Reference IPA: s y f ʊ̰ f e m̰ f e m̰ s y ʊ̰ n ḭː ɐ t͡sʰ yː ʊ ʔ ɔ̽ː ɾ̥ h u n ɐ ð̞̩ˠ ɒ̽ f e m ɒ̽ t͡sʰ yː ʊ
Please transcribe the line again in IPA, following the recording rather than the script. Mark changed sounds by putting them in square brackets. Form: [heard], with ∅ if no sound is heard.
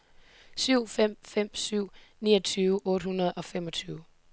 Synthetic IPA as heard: s y [∅] ʊ̰ f e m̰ f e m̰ s y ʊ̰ n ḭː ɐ t͡sʰ yː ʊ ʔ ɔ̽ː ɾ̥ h u n ɐ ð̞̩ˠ ɒ̽ f e m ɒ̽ t͡sʰ yː ʊ